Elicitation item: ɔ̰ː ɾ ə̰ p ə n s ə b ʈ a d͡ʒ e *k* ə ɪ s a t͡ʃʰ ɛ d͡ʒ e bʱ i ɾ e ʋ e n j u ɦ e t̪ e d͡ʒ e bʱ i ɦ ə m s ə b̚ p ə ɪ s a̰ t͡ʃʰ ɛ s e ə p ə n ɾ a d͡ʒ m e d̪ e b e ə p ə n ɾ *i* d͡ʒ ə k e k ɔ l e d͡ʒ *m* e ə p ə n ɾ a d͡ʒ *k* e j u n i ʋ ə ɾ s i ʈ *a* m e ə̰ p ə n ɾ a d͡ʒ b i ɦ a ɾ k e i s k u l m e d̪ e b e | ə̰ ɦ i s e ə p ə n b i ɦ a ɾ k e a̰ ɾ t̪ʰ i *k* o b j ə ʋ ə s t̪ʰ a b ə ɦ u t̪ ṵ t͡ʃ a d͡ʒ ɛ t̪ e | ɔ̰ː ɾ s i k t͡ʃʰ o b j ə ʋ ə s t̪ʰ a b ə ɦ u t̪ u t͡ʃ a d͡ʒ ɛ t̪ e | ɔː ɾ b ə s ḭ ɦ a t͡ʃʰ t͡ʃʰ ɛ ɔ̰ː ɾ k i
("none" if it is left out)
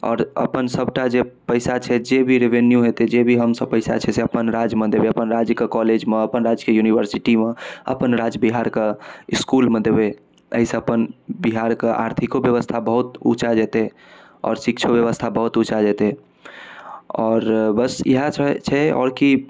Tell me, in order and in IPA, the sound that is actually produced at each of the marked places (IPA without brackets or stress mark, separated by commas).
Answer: p, a, m, k, i, k